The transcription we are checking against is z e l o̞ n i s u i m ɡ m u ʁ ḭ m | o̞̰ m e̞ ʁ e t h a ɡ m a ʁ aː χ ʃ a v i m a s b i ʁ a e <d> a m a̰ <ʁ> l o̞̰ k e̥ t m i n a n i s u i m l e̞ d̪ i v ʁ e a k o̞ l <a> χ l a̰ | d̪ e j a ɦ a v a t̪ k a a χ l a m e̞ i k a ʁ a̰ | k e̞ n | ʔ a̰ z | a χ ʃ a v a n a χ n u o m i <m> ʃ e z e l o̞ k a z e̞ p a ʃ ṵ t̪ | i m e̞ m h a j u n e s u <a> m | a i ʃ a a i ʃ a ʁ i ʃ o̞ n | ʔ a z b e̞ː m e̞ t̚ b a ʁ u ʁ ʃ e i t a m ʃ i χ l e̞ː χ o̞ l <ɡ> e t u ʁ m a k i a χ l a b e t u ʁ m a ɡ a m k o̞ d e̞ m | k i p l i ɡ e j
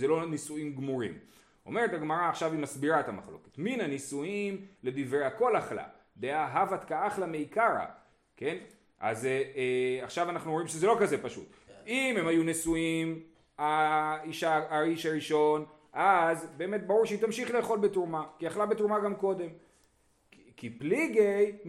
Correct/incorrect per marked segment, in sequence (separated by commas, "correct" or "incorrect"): incorrect, incorrect, correct, correct, incorrect, incorrect